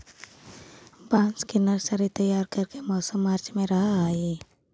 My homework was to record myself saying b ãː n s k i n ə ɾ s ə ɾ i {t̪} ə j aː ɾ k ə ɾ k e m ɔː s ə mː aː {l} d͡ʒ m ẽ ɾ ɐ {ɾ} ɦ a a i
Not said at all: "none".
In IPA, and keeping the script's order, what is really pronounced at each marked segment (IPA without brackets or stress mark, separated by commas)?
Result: t̪, ɾ, none